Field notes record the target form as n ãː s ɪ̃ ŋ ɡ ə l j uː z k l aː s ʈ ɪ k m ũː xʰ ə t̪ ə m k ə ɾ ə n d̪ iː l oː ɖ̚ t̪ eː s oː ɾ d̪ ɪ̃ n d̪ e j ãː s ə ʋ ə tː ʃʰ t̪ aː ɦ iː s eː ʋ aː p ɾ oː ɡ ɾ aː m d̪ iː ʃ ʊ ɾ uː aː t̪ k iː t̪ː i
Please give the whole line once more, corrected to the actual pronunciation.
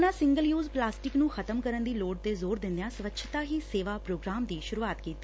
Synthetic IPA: n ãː s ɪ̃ ŋ ɡ ə l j uː z p l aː s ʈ ɪ k n ũː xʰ ə t̪ ə m k ə ɾ ə n d̪ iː l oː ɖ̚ t̪ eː z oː ɾ d̪ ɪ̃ n d̪ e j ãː s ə ʋ ə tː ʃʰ t̪ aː ɦ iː s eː ʋ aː p ɾ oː ɡ ɾ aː m d̪ iː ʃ ʊ ɾ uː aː t̪ k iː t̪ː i

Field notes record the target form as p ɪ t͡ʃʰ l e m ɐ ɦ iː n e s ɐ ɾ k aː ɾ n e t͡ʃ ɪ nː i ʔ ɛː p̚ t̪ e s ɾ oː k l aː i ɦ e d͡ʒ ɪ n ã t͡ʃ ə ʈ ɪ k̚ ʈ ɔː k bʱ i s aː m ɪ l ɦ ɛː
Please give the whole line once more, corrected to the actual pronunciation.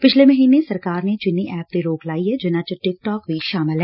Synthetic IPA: p ɪ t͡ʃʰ l e m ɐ ɦ iː n e s ɐ ɾ k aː ɾ n e t͡ʃ ɪ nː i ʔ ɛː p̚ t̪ e ɾ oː k l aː i ɦ ɛ d͡ʒ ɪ n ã t͡ʃ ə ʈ ɪ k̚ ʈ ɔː k bʱ i ʃ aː m ɪ l ɦ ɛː

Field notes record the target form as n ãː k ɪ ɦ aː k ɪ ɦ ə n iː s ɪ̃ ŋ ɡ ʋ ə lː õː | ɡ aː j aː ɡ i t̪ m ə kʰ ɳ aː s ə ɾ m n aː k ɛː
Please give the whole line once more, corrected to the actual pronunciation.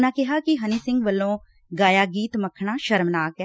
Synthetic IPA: n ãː k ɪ ɦ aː k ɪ ɦ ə n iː s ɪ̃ ŋ ɡ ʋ ə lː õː | ɡ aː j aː ɡ iː t̪ m ə kʰ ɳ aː ʃ ə ɾ m n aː k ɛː

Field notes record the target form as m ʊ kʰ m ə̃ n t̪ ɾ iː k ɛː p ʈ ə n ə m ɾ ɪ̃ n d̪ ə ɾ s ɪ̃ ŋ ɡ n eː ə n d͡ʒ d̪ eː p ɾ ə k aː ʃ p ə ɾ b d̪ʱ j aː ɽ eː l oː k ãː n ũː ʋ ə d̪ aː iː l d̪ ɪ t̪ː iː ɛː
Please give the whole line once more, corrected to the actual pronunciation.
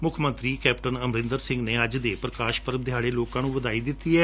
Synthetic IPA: m ʊ kʰ m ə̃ n t̪ ɾ iː k ɛː p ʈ ə n ə m ɾ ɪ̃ n d̪ ə ɾ s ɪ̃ ŋ ɡ n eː ə d͡ʒ d̪ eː p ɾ ə k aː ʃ p ə ɾ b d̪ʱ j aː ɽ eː l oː k ãː n ũː ʋ ə d̪ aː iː d̪ ɪ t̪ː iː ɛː

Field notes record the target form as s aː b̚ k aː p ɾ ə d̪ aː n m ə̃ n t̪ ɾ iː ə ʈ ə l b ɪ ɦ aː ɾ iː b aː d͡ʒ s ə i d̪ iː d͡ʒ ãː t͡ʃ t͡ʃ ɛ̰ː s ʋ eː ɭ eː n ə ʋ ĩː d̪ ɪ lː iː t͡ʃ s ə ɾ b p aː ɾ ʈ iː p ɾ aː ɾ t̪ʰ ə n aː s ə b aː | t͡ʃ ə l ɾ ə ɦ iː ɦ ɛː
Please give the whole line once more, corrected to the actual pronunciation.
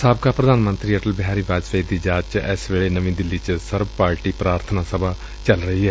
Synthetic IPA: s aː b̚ k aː p ɾ ə d̪ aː n m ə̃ n t̪ ɾ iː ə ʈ ə l b ɪ ɦ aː ɾ iː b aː d͡ʒ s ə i d̪ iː d͡ʒ aː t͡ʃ t͡ʃ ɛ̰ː s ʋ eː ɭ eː n ə ʋ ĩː d̪ ɪ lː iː t͡ʃ s ə ɾ b p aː ɾ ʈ iː p ɾ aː ɾ t̪ʰ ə n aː s ə b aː | t͡ʃ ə l ɾ ə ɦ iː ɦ ɛː

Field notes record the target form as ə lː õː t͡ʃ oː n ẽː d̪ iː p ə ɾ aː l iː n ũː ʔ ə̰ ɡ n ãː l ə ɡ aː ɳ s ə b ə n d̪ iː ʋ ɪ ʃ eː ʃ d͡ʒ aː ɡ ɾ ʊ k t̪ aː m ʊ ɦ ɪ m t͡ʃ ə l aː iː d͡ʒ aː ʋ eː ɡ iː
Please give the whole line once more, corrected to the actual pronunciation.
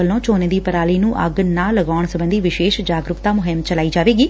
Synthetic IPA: ə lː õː t͡ʃ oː n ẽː d̪ iː p ə ɾ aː l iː n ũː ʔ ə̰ ɡ n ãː l ə ɡ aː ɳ s ə b ə n d̪ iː ʋ ɪ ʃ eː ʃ d͡ʒ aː ɡ ɾ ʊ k t̪ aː m ʊ ɦ ɪ m t͡ʃ ə l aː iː d͡ʒ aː ʋ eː ɡ iː

